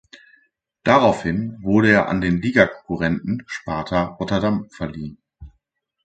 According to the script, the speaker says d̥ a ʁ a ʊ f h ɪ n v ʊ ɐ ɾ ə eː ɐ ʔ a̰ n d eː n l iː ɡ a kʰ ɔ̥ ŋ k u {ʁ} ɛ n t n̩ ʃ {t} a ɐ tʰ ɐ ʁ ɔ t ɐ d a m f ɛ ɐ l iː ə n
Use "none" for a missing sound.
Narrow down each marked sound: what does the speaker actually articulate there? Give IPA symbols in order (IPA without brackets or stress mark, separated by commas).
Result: ʁ, p